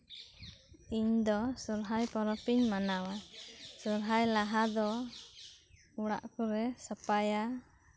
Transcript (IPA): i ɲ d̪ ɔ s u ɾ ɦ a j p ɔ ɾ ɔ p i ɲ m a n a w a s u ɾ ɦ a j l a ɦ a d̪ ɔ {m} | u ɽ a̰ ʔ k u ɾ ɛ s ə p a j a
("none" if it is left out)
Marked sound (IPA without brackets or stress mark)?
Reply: none